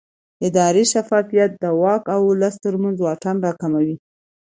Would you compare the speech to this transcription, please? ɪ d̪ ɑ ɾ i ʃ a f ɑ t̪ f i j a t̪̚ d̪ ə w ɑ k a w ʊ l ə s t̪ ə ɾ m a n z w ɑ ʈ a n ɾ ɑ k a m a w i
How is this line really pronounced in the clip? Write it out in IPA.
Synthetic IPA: ɪ d̪ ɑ ɾ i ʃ a f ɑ f i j a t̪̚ d̪ ə w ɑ k a w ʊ l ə s t̪ ə ɾ m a n z w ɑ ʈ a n ɾ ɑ k a m a w i